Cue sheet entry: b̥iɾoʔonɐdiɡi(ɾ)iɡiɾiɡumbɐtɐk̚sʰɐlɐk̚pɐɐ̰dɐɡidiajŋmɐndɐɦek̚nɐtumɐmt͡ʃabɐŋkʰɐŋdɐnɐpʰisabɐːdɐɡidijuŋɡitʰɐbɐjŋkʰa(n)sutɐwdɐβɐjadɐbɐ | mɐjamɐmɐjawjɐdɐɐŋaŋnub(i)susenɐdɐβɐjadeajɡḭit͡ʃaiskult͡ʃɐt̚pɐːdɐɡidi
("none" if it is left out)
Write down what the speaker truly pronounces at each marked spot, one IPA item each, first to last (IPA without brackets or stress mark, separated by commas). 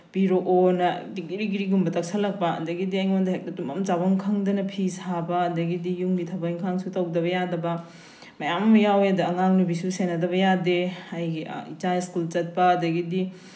ɾ, ŋ, i